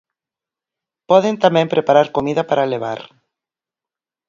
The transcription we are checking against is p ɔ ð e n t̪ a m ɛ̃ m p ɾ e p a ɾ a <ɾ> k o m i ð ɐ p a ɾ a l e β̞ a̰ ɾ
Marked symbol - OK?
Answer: yes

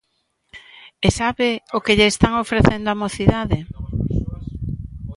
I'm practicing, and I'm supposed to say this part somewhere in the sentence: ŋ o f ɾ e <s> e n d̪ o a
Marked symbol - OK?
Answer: no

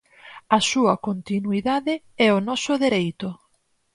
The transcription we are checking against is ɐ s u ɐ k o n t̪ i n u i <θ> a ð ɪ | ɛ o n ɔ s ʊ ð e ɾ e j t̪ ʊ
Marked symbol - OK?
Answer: no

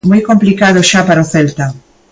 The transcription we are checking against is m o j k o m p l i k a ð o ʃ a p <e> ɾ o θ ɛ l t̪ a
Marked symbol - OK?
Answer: no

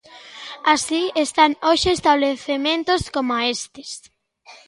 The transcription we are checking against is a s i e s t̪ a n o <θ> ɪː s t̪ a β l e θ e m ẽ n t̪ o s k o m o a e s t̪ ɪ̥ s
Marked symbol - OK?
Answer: no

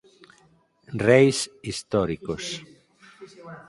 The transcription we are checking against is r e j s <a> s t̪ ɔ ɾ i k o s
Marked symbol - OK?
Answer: no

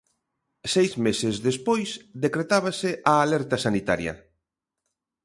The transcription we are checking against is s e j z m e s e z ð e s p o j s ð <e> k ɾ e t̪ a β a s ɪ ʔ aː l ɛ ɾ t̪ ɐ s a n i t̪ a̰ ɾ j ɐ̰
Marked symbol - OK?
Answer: yes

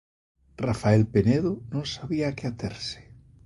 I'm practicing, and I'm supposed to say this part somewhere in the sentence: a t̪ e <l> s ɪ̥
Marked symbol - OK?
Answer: no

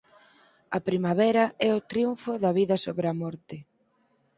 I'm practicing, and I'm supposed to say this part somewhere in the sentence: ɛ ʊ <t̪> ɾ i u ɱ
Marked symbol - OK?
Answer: yes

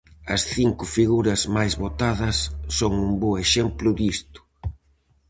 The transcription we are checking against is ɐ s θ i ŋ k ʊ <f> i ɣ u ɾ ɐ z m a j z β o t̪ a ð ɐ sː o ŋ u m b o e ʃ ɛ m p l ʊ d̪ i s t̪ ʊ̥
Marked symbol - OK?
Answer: yes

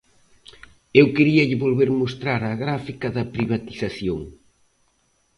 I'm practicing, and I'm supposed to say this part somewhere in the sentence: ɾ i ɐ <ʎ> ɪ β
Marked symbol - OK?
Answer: yes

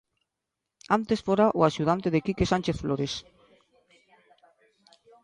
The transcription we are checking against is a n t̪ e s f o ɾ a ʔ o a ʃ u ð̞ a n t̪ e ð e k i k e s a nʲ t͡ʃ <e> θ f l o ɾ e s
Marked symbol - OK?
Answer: yes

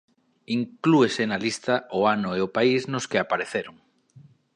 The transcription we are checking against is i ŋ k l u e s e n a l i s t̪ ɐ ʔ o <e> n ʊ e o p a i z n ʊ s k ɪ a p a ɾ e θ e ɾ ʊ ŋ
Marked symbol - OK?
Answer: no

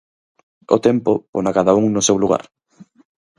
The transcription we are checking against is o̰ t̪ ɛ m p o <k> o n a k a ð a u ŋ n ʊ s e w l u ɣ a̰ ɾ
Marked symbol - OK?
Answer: no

